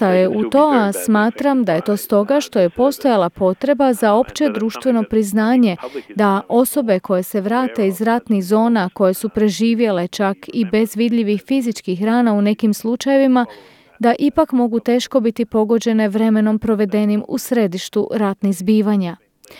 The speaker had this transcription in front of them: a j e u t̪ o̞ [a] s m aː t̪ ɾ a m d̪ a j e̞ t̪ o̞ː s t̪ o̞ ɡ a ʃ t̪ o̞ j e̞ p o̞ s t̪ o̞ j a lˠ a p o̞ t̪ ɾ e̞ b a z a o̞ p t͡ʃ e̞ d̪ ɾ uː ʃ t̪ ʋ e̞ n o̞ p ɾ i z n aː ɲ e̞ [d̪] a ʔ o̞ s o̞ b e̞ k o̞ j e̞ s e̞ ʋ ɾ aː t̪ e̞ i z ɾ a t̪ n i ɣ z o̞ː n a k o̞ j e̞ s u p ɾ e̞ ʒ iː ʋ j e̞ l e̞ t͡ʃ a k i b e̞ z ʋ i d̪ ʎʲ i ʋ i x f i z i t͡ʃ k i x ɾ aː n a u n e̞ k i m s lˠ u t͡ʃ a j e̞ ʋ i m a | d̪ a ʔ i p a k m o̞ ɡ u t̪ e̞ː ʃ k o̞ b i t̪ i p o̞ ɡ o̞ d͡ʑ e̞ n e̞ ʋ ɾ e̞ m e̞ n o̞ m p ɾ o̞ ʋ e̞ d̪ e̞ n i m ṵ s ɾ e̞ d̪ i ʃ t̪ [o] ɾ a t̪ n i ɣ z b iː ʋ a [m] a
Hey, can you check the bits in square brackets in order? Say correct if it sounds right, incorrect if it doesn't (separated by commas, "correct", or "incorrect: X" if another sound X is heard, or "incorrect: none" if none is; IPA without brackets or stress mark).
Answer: correct, correct, incorrect: u, incorrect: ɲ